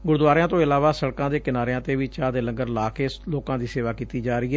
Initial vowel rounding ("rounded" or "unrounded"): rounded